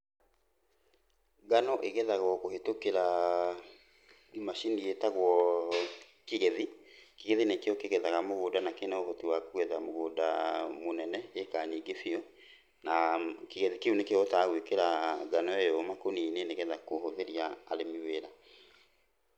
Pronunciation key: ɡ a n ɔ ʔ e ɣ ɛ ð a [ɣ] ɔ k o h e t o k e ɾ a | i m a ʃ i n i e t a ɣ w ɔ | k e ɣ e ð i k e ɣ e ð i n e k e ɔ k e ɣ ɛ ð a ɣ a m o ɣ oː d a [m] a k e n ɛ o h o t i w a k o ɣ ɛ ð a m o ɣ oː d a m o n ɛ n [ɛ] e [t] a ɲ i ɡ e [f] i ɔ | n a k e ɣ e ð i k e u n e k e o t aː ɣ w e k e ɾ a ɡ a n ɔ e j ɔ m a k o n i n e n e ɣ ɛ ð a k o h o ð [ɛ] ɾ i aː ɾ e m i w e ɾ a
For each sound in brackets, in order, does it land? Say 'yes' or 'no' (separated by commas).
yes, no, yes, no, yes, no